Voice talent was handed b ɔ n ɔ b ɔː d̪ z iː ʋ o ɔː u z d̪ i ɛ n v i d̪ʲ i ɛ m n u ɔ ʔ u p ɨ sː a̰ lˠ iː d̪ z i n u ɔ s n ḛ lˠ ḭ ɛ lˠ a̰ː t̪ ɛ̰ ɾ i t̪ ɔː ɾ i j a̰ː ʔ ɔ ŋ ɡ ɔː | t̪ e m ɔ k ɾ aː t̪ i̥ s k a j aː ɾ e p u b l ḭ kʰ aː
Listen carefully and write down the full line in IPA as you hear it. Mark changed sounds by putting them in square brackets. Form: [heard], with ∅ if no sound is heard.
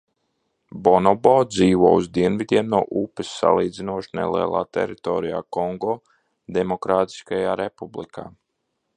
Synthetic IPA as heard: b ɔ n ɔ b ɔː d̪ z iː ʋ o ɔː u z d̪ i ɛ n v i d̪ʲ i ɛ m n u ɔ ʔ u p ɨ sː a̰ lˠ iː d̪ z i n u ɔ [ʃ] n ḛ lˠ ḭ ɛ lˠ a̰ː t̪ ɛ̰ ɾ i t̪ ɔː ɾ i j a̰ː [k] ɔ ŋ ɡ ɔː | [d̪] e m ɔ k ɾ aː t̪ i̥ s k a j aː ɾ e p u b l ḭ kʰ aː